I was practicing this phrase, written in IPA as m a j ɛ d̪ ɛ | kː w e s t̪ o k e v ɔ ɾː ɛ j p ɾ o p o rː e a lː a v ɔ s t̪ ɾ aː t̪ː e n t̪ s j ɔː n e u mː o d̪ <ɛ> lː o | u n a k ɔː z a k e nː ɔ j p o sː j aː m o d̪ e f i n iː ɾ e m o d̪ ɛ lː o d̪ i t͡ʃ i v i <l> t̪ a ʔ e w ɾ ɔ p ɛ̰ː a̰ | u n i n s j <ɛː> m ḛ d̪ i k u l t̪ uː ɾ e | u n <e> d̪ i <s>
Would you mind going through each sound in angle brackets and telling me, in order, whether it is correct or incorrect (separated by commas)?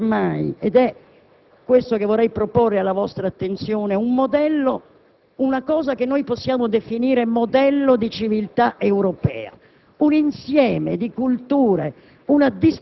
correct, correct, correct, incorrect, correct